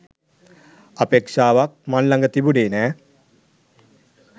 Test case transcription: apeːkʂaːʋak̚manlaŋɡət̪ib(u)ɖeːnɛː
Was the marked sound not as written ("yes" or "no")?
no